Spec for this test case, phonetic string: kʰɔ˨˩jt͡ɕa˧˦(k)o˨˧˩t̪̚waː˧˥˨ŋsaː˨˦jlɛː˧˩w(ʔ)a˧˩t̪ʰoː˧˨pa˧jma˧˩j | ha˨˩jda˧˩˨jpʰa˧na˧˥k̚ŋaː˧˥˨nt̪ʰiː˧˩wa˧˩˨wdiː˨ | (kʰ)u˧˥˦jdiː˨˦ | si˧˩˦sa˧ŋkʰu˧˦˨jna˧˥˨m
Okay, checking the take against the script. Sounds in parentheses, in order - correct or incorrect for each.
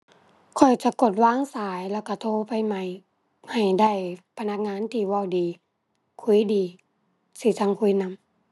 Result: correct, incorrect, correct

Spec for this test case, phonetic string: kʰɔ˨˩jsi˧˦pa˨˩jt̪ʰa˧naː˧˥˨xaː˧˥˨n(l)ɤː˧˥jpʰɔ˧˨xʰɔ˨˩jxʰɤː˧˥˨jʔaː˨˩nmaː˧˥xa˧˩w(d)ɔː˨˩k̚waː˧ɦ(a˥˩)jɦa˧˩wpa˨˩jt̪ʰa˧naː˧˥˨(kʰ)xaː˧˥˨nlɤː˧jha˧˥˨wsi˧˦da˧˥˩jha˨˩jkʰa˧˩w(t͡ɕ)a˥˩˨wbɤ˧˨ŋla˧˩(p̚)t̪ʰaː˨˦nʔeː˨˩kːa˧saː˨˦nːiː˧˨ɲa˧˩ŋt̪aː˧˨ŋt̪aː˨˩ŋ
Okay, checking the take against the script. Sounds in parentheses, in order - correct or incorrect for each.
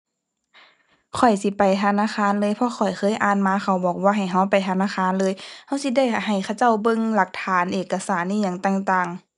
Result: correct, incorrect, incorrect, incorrect, correct, incorrect

